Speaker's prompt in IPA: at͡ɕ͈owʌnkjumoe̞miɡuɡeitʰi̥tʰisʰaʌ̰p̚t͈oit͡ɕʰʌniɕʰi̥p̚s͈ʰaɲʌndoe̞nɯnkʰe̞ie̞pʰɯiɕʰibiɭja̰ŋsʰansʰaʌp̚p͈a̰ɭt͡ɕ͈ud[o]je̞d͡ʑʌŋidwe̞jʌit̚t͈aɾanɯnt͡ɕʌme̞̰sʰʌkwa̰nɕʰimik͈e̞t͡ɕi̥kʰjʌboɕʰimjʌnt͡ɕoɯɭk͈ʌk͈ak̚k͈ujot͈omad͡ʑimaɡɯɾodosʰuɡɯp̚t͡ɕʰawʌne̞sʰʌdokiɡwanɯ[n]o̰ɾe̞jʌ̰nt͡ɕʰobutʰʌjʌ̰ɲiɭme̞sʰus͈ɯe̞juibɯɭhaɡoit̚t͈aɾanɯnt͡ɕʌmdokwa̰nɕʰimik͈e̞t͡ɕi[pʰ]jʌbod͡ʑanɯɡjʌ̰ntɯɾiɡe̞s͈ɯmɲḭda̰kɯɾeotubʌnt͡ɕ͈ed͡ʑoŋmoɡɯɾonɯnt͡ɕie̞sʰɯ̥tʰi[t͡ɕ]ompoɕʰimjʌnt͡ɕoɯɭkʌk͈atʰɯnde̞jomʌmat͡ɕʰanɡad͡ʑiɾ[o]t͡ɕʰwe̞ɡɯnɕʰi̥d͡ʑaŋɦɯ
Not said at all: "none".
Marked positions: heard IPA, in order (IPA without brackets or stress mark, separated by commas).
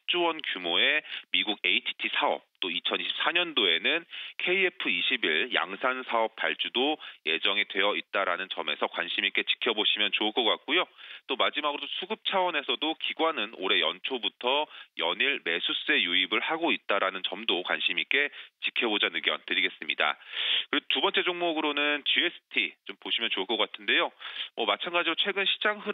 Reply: o, n, kʰ, t͡ɕ, o